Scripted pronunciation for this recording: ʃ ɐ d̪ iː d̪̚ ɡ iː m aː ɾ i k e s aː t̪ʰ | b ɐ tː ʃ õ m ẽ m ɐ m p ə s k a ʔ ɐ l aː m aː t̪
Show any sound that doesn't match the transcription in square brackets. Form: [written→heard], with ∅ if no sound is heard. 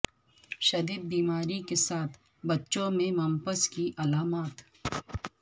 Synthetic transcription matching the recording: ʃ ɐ d̪ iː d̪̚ [ɡ→b] iː m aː ɾ i k e s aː t̪ʰ | b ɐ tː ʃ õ m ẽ m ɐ m p ə s k [a→i] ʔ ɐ l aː m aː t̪